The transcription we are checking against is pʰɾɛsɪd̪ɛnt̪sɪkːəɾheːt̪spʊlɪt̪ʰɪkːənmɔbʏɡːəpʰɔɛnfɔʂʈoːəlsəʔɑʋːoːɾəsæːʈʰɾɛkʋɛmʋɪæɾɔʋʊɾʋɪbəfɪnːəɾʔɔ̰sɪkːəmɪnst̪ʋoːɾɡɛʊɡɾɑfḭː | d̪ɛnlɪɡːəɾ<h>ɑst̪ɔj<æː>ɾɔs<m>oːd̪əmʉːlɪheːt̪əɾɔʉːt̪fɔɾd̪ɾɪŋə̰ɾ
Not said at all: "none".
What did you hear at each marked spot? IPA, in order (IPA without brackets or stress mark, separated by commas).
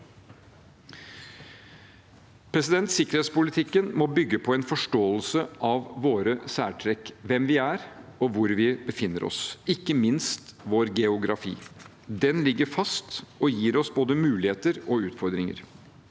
f, iː, b